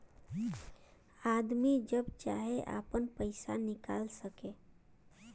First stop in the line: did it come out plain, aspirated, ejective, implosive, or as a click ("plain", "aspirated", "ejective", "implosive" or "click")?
plain